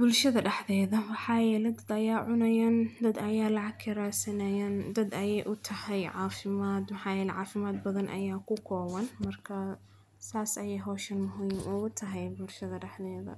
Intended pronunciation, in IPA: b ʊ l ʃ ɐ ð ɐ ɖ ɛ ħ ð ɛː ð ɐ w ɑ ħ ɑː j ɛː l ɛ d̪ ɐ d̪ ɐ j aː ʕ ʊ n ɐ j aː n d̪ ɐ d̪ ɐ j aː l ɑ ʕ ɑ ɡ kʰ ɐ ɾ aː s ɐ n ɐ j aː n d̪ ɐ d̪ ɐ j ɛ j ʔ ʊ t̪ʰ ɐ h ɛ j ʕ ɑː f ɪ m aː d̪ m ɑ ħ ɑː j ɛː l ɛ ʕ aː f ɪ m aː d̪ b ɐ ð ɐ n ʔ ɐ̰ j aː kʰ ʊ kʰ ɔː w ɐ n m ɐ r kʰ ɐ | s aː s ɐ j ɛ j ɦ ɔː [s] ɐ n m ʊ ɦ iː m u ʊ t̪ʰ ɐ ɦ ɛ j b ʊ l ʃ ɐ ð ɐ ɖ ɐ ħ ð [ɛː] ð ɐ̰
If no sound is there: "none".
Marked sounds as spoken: ʃ, ɛː

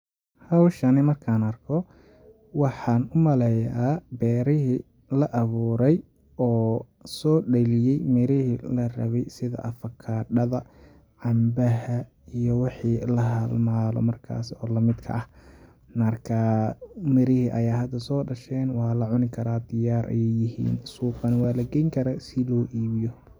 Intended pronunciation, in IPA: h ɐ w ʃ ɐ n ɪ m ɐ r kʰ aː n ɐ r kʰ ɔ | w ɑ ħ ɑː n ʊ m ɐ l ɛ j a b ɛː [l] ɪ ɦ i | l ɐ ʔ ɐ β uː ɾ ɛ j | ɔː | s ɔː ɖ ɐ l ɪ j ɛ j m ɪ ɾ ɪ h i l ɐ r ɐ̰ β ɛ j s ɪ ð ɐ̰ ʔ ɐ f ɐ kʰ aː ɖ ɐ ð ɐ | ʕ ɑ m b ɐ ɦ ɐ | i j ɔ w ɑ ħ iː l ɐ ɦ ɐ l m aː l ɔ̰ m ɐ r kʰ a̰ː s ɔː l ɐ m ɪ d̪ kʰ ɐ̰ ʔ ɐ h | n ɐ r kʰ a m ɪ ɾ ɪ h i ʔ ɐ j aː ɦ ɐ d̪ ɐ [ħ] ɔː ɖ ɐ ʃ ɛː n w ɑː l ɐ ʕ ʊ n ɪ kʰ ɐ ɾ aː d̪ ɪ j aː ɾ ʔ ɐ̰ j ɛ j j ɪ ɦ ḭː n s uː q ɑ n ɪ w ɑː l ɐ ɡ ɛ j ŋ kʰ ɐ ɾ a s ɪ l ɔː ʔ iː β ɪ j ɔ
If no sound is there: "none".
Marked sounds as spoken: ɾ, s

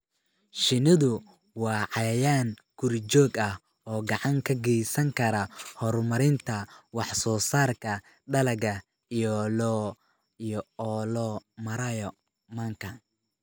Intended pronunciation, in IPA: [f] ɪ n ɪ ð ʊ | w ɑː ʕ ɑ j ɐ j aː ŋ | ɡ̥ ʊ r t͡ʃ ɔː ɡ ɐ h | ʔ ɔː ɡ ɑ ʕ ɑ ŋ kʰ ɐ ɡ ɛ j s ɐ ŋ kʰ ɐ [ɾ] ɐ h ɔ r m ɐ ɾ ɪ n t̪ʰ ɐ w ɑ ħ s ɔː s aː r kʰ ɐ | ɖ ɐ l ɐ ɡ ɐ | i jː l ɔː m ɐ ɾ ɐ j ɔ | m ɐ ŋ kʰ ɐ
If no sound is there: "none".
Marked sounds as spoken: ʃ, ɾ

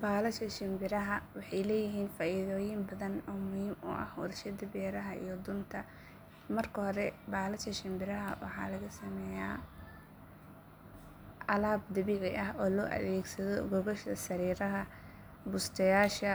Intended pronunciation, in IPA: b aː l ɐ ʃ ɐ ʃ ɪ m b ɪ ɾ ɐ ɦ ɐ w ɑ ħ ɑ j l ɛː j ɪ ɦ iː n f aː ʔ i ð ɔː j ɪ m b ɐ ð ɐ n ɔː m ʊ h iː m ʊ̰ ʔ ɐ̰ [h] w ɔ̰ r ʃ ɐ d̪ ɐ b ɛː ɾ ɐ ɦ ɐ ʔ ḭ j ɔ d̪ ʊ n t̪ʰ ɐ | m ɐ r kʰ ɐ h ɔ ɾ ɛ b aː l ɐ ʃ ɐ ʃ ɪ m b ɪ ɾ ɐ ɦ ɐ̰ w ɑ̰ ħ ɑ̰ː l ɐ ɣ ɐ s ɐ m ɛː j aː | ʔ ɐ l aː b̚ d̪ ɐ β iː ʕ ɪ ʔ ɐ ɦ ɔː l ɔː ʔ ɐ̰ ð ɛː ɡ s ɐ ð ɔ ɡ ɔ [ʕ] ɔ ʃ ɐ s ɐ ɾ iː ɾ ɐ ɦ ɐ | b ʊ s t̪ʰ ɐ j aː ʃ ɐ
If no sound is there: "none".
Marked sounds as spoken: h, ɣ

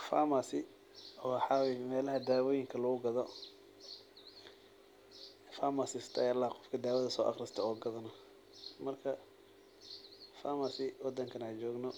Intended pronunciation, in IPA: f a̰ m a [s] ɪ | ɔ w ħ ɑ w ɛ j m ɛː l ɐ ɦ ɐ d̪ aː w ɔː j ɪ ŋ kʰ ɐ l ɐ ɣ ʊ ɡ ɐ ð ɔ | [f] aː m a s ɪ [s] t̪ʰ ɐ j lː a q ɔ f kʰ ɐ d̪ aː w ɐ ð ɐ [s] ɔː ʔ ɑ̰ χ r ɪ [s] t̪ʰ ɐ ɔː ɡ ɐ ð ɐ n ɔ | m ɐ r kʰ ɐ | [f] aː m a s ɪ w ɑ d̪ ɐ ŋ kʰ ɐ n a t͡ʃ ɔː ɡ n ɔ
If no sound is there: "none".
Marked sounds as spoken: s, f, s, s, s, f

